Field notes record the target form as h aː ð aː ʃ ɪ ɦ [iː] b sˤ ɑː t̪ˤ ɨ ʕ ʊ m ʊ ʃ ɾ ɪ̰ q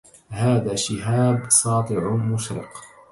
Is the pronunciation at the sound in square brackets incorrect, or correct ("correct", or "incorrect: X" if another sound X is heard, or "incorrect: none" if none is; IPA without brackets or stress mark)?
incorrect: aː